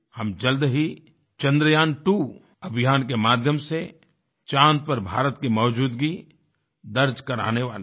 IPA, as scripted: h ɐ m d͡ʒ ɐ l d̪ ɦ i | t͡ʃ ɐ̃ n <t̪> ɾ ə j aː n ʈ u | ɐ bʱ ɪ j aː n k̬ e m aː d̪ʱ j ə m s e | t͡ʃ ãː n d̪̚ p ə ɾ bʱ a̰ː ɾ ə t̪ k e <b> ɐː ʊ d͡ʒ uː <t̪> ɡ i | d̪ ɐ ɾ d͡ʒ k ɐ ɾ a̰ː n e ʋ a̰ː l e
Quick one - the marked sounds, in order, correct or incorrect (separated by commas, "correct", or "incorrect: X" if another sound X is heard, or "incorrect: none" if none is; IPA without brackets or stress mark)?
incorrect: d̪, incorrect: m, incorrect: d̪